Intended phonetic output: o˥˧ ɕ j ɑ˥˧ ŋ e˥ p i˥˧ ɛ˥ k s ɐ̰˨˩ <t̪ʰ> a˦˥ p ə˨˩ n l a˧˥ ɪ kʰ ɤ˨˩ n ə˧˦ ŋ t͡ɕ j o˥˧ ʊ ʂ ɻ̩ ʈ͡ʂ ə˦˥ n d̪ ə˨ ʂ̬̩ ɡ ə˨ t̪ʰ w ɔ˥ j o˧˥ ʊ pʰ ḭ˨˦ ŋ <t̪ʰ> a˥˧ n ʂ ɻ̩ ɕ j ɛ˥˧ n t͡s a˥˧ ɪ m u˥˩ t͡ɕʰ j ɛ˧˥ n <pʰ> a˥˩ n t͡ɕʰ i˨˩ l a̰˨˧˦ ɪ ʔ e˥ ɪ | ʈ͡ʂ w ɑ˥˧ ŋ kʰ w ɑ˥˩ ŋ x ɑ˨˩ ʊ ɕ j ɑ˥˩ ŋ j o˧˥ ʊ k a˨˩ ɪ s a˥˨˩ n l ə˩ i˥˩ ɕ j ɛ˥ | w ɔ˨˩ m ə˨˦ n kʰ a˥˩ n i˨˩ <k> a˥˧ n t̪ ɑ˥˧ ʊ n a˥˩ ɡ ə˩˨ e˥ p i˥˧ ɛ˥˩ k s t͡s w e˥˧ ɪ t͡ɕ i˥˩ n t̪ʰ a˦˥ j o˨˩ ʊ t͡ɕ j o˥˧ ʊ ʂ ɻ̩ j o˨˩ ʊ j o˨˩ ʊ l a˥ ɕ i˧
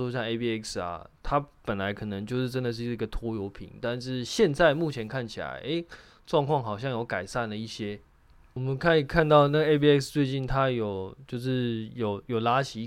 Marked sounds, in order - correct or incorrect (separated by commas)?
correct, incorrect, incorrect, incorrect